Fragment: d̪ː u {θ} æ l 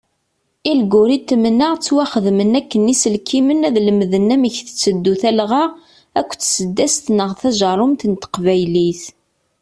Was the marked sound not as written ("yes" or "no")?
no